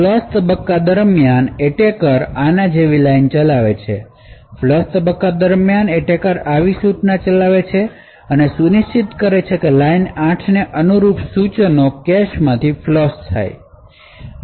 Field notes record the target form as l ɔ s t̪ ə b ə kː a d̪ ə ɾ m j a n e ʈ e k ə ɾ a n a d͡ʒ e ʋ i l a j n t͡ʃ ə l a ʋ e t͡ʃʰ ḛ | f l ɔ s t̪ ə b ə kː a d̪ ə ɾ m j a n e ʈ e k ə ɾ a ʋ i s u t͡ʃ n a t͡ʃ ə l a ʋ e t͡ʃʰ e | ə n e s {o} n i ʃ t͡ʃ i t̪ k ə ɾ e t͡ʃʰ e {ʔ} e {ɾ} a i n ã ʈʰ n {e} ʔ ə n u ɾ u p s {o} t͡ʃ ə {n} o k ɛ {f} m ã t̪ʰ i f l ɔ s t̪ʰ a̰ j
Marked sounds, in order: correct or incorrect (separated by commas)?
incorrect, incorrect, incorrect, correct, incorrect, correct, incorrect